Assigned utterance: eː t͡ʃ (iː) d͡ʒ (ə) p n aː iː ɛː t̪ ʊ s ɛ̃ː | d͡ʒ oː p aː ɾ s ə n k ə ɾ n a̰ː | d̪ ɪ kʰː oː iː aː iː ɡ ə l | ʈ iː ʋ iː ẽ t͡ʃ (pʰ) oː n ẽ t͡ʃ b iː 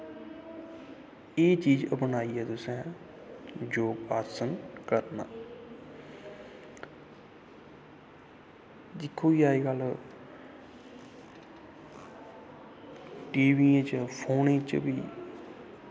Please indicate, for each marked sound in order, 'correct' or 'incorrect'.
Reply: correct, correct, correct

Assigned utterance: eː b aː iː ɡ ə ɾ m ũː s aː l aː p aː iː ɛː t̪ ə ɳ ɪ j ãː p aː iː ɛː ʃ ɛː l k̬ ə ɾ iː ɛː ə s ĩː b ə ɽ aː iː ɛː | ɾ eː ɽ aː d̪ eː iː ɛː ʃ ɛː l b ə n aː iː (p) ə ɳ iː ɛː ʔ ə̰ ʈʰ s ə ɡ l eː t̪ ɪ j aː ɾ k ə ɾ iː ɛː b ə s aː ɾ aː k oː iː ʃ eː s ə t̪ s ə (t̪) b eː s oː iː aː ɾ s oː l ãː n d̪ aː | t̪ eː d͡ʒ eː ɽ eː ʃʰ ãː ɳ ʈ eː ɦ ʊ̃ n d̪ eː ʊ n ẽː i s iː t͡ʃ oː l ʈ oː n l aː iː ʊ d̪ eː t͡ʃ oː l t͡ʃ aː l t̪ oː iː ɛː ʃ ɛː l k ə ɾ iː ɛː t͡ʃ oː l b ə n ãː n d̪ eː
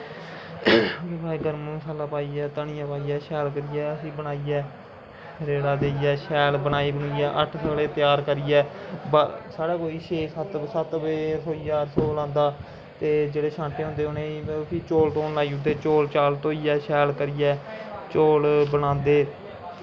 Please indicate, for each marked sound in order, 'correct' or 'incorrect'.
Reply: incorrect: b, correct

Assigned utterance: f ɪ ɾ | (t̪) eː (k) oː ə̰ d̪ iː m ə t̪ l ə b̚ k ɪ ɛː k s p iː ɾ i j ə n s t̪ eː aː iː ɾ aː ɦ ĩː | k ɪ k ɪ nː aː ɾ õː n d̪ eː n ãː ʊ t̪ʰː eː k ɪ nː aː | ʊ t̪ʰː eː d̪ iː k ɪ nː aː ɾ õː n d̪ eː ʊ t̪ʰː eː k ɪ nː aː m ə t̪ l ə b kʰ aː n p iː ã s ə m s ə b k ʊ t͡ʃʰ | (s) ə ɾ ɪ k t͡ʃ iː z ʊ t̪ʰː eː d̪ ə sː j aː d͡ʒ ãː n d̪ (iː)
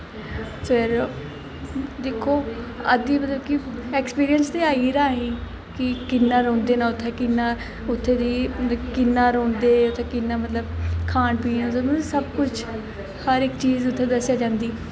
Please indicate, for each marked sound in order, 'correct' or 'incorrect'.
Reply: incorrect: d̪, incorrect: kʰ, incorrect: h, correct

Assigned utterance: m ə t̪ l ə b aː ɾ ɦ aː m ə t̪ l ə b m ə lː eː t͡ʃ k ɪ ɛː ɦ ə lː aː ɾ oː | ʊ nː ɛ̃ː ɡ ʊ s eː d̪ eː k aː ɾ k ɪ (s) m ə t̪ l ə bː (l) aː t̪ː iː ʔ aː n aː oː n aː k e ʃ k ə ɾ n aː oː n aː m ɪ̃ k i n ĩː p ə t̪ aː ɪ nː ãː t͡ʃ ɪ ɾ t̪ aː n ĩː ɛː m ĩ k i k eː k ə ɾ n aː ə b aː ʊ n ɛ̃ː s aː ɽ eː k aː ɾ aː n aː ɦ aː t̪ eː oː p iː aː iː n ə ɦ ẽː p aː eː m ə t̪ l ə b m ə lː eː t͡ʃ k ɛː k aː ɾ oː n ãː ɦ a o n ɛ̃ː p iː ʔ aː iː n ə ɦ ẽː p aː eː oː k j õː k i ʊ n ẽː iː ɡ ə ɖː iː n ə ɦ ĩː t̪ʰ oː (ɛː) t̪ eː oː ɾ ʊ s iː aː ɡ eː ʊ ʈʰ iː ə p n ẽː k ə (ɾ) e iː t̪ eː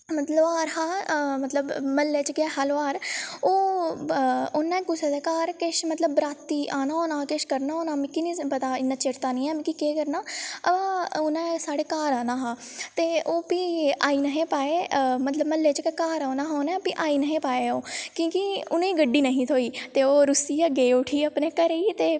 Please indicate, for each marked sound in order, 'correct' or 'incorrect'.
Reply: incorrect: ʃ, incorrect: ɾ, incorrect: iː, correct

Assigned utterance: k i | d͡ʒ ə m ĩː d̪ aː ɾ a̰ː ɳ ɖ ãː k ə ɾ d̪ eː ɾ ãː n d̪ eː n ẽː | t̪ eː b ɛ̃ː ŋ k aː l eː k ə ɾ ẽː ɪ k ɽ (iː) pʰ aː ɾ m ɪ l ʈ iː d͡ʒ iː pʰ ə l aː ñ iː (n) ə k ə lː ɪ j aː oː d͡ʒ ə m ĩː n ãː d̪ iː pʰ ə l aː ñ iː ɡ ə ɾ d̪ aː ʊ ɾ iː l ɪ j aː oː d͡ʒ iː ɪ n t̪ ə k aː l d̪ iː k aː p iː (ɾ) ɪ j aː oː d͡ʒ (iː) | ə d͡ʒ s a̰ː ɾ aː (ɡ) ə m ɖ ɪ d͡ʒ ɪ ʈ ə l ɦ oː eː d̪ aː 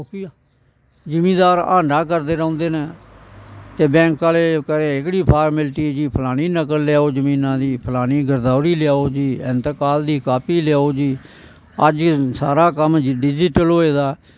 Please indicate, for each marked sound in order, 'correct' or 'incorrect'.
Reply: correct, correct, incorrect: l, correct, incorrect: k

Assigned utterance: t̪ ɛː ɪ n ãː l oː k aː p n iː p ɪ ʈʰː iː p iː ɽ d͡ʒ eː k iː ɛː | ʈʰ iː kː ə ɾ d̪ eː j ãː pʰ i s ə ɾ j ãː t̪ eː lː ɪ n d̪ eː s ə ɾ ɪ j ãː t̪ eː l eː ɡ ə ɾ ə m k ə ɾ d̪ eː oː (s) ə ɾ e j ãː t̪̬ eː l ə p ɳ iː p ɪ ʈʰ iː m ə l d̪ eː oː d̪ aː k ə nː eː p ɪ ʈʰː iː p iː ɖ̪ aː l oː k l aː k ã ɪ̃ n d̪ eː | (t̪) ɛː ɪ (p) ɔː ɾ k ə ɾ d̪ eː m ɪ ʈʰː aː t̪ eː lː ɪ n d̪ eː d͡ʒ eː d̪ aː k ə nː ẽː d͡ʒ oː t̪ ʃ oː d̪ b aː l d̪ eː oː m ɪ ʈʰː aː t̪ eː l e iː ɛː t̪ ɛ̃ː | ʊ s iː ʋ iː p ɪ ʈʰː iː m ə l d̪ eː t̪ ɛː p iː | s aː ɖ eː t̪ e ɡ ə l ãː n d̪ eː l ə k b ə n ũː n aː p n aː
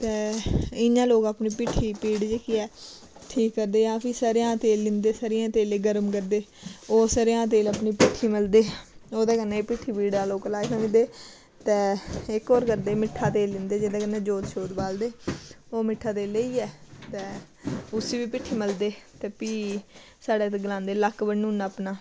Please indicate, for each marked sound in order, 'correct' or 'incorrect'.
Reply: correct, correct, incorrect: k

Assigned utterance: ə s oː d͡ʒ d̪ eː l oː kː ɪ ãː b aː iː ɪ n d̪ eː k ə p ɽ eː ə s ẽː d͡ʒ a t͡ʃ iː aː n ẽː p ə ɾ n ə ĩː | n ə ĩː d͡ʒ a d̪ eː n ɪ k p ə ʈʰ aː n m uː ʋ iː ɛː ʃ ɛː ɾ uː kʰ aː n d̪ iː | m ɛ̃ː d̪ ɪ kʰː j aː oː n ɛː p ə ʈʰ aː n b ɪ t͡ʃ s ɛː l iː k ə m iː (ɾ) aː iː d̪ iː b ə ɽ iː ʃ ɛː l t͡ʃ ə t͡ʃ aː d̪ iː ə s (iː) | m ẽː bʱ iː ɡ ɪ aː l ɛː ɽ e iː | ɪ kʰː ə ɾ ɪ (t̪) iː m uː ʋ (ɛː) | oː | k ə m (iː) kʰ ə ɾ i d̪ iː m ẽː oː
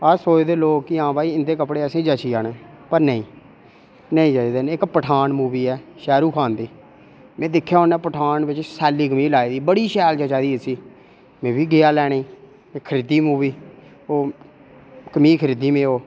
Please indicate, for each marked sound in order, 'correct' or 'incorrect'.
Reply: incorrect: l, correct, incorrect: d̪, incorrect: iː, correct

